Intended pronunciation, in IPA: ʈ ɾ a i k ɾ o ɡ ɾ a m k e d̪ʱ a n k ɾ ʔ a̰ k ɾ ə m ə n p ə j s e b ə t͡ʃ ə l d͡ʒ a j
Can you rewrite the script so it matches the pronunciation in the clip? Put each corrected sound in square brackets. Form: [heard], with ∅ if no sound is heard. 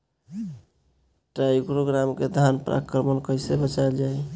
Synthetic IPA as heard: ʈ ɾ a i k ɾ o ɡ ɾ a m k e d̪ʱ a n [p] ɾ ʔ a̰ k ɾ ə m ə n [k] ə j s e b ə t͡ʃ [a] l d͡ʒ a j